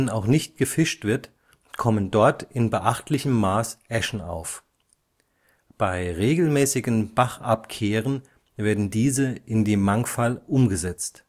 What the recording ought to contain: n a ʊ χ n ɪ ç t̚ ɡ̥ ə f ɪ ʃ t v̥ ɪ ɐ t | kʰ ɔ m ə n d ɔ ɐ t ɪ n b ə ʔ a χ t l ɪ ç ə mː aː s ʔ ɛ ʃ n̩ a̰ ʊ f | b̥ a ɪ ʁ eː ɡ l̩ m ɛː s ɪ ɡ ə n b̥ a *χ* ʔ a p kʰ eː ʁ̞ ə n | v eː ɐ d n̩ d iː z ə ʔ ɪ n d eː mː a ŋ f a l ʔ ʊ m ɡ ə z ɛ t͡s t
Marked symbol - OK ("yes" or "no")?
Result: yes